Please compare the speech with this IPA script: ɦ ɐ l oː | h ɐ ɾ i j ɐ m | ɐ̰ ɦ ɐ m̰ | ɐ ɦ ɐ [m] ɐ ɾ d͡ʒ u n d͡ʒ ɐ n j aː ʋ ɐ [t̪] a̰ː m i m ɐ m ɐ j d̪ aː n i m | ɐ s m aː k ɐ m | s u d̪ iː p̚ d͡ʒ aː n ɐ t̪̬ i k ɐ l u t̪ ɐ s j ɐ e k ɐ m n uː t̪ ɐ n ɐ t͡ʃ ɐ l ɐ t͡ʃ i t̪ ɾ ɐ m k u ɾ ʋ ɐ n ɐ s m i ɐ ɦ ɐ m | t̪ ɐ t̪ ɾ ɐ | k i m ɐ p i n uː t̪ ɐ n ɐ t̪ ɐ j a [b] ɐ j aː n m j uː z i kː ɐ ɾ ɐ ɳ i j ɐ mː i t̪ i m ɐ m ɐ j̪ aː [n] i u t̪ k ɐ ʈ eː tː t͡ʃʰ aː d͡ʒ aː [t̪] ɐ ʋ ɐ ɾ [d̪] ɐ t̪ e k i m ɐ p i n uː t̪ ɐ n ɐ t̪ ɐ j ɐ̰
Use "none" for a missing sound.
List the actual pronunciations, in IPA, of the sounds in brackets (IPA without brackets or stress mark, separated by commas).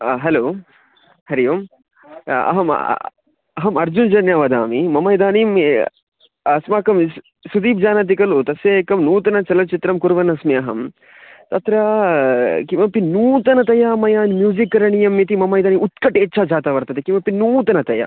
m, d̪, m, n, t̪, t̪